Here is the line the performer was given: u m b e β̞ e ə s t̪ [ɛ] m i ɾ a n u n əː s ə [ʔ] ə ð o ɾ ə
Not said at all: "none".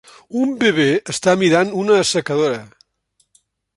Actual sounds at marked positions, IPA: a, k

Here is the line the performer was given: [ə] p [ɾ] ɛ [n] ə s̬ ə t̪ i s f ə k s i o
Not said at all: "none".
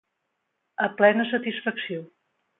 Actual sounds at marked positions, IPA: ə, l, n

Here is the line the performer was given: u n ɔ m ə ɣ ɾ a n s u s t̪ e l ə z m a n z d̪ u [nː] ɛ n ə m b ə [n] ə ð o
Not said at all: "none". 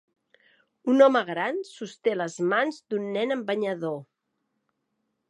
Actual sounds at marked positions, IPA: nː, ɲ

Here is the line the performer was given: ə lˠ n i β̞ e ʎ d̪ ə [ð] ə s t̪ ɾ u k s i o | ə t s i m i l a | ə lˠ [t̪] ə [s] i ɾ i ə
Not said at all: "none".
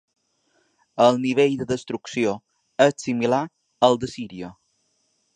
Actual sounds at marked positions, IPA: ð, d̪, s

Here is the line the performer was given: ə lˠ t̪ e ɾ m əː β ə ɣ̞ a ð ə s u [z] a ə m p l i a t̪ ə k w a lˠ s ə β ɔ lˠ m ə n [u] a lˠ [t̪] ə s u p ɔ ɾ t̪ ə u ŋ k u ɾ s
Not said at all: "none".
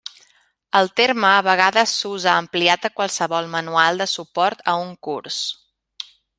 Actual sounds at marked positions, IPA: z, u, d̪

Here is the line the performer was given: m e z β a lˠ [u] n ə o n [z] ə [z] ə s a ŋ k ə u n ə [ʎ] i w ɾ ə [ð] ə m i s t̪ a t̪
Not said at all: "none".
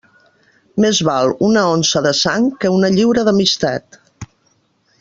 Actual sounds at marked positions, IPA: u, s, ð, ʎ, ð

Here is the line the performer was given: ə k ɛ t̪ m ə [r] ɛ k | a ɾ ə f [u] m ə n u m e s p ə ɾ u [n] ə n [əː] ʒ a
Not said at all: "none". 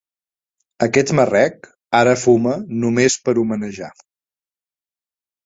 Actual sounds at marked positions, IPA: r, u, m, ə

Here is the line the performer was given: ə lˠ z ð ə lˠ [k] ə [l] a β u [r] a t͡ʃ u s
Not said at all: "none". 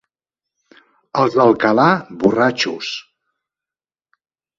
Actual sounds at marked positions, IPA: k, l, r

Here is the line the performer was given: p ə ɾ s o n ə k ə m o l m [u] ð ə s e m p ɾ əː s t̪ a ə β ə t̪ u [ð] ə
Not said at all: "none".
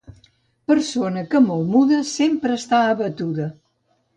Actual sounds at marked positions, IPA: u, ð

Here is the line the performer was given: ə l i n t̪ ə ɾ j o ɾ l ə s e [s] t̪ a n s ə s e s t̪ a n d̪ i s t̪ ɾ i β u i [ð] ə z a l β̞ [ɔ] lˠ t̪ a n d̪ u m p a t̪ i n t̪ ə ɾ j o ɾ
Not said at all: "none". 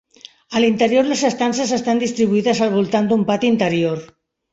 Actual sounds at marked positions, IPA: s, ð, u

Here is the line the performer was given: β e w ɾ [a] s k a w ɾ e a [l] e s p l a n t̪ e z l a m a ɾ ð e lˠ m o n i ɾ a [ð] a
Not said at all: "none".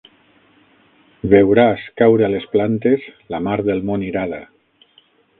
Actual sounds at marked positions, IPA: a, l, ð

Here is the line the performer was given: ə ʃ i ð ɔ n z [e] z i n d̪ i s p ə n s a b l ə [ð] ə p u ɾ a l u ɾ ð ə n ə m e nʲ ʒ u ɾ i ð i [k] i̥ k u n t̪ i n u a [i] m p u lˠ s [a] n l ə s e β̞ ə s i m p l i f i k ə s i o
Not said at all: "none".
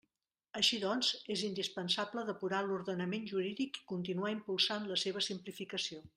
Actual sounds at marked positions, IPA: e, ð, k, i, a

